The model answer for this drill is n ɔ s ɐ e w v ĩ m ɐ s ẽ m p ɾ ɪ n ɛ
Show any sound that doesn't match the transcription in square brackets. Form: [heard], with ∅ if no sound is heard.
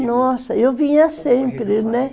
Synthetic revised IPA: n ɔ s ɐ e w v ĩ [ɲ] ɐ s ẽ m p ɾ ɪ n ɛ

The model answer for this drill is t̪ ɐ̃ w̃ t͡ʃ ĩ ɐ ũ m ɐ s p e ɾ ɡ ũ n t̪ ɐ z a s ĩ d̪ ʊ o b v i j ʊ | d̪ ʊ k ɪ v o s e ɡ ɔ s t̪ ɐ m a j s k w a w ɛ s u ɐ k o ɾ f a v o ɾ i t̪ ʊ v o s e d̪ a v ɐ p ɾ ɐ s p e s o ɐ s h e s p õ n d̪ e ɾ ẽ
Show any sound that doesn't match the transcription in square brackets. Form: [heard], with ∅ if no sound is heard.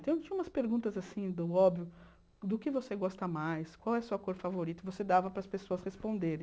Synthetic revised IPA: t̪ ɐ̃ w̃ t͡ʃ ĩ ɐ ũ m ɐ s p e ɾ ɡ ũ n t̪ ɐ z a s ĩ d̪ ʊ [ɔ] b v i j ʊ | d̪ ʊ k ɪ v o s e ɡ ɔ s t̪ ɐ m a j s k w a w ɛ s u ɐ k o ɾ f a v o ɾ i t̪ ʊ v o s e d̪ a v ɐ p ɾ ɐ s p e s o ɐ s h e s p õ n d̪ e ɾ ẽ

